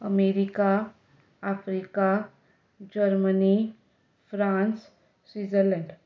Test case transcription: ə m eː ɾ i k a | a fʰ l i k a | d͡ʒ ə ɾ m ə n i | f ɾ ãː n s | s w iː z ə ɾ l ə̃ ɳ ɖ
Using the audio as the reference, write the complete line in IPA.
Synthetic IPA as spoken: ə m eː ɾ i k a | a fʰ ɾ i k a | d͡ʒ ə ɾ m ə n i | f ɾ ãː n s | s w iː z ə ɾ l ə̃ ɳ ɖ